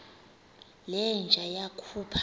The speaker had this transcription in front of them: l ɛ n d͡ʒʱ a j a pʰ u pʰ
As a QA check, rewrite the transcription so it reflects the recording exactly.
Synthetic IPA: l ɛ n d͡ʒʱ a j a kʰ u pʰ